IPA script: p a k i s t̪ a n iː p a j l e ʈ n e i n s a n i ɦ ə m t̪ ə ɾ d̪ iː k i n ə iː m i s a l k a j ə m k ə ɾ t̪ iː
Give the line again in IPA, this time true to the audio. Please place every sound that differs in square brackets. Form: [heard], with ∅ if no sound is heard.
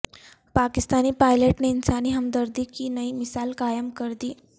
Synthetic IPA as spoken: p a k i s t̪ a n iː p a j l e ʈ n e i n s a n i ɦ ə m [d̪] ə ɾ d̪ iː k i n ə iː m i s a l k a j ə m k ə ɾ [d̪] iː